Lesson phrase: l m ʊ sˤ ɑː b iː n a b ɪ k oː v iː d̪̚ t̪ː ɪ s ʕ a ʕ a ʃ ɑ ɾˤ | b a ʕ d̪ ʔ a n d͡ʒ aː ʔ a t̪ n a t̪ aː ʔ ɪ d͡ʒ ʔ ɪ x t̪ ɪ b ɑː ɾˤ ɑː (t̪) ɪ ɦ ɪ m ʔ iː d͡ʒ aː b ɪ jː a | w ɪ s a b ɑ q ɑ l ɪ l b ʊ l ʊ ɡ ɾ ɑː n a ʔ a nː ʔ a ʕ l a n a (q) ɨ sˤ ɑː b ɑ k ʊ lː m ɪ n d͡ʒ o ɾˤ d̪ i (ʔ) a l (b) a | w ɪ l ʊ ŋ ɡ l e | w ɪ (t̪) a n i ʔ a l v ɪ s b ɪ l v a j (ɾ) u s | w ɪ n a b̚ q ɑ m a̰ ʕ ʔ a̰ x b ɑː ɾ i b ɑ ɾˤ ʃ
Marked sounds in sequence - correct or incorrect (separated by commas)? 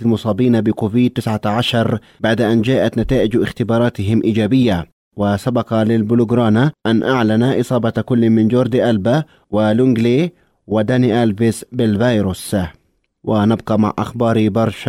correct, incorrect, correct, correct, incorrect, correct